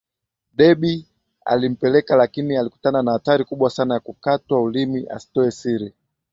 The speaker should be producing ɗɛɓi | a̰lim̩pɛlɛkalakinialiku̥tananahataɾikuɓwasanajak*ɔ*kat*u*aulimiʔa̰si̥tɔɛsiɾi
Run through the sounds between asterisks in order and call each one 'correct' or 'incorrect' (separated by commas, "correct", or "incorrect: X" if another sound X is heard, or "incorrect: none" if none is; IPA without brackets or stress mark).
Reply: incorrect: u, incorrect: w